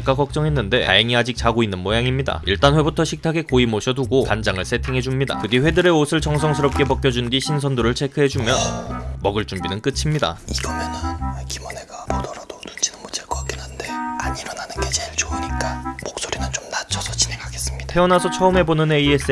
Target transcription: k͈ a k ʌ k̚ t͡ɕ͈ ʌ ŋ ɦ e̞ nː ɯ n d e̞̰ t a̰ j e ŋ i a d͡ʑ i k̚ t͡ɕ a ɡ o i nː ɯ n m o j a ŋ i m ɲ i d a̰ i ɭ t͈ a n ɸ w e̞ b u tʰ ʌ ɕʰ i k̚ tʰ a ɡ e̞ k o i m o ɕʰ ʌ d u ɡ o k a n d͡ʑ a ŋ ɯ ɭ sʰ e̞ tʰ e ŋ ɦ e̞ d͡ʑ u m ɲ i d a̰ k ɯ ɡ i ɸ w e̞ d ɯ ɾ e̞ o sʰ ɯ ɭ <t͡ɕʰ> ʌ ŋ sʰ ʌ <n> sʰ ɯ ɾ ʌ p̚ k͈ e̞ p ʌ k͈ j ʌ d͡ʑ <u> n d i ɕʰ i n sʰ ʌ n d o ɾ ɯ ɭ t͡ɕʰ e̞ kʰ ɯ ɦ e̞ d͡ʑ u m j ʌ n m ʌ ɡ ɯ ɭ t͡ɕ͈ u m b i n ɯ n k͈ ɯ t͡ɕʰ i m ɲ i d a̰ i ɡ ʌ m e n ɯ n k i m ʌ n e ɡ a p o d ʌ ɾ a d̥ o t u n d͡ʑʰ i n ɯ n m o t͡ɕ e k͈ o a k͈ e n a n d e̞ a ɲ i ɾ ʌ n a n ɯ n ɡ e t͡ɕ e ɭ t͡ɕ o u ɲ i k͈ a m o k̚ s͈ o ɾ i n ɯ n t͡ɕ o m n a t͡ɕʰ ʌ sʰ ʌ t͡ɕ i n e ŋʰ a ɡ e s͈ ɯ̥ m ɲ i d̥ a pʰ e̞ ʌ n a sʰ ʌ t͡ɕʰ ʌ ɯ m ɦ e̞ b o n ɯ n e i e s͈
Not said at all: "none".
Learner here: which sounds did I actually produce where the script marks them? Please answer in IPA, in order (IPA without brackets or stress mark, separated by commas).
t͡ɕ, ŋ, u